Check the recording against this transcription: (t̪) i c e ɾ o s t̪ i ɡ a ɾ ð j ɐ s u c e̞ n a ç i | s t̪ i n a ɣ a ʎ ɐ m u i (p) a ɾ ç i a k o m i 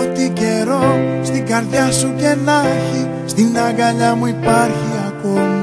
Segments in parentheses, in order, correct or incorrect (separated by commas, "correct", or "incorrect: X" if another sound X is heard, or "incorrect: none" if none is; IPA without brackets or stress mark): correct, correct